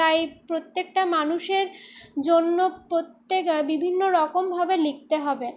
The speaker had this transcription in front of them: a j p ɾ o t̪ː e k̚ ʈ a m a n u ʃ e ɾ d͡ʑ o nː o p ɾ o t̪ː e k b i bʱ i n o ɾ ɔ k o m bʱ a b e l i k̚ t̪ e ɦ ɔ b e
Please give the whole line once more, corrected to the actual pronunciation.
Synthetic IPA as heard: a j p ɾ o t̪ː e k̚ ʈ a m a n u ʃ e ɾ d͡ʑ o nː o p ɾ o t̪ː e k b i bʱ i nː o ɾ ɔ k o m bʱ a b e l i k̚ t̪ e ɦ ɔ b e